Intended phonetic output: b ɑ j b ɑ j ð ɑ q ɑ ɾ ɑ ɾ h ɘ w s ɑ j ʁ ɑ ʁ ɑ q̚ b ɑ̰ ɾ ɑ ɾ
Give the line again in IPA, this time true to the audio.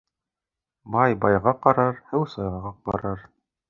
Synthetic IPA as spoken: b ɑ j b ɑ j ʁ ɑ q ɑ ɾ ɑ ɾ h ɘ w s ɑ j ʁ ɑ ʁ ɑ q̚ b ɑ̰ ɾ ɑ ɾ